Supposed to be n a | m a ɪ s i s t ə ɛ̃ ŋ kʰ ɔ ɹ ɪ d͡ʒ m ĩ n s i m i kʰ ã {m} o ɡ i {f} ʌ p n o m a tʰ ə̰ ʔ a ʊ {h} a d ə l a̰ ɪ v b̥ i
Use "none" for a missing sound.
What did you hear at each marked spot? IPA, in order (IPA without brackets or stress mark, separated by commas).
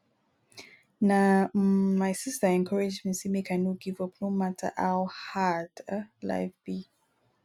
n, v, h